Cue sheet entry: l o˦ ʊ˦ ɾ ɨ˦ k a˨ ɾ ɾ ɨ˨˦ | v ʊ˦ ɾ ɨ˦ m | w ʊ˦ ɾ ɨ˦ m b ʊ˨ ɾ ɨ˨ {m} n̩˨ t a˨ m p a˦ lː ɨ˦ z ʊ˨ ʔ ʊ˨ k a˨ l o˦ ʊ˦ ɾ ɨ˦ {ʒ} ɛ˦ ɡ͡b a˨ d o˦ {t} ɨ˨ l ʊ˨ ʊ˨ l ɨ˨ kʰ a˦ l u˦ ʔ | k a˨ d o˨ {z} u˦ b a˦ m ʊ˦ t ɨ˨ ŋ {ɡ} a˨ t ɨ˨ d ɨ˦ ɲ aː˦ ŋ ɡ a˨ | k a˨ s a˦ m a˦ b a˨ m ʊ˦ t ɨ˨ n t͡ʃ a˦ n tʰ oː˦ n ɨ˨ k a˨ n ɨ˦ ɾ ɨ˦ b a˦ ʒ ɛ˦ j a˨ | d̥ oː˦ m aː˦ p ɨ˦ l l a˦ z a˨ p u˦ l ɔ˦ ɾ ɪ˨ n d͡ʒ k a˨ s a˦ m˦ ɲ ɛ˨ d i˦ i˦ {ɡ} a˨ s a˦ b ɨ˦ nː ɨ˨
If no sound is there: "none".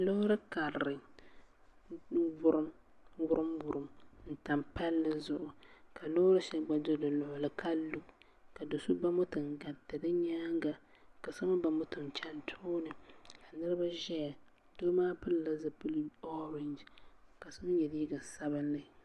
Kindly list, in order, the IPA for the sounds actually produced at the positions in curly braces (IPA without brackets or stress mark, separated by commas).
m, ʃ, d, s, ɡ, ɡ